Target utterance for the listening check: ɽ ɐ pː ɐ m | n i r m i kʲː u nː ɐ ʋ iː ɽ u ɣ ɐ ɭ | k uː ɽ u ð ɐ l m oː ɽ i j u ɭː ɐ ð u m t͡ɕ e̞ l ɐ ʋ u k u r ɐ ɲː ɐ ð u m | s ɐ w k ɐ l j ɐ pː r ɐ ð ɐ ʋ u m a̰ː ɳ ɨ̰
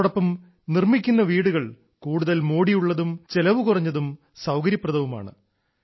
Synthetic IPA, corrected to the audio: ɽ ɐ pː ɐ m | n i r m i kʲː u nː ɐ ʋ iː ɽ u ɣ ɐ ɭ | k uː ɽ u ð ɐ l m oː ɽ i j u ɭː ɐ ð u m t͡ɕ e̞ l ɐ ʋ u k u r ɐ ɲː ɐ ð u m | s ɐ w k ɐ ɾ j ɐ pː r ɐ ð ɐ ʋ u m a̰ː ɳ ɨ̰